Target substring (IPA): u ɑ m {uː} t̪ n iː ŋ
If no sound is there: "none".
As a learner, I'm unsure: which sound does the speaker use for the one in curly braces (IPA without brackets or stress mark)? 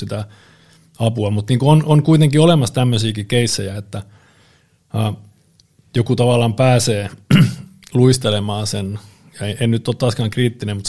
u